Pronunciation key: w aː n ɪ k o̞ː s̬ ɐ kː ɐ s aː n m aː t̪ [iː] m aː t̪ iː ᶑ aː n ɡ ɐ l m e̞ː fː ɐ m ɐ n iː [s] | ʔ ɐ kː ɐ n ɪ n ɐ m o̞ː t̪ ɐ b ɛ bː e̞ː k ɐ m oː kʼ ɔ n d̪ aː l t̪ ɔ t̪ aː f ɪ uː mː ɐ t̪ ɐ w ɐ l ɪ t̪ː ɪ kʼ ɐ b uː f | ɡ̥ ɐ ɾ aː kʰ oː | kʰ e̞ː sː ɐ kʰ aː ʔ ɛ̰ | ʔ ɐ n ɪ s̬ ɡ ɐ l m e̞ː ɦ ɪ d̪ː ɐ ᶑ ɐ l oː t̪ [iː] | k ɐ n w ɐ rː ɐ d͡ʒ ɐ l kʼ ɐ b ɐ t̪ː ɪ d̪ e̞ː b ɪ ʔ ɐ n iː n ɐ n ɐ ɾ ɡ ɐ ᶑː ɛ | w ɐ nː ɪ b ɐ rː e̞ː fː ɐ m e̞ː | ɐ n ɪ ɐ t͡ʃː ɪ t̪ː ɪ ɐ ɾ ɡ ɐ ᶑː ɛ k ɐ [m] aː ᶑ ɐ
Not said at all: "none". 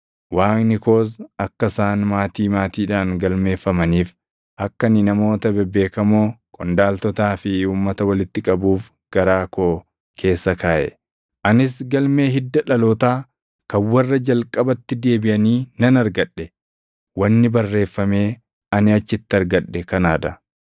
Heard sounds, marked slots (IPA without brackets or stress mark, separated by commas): iː, f, aː, n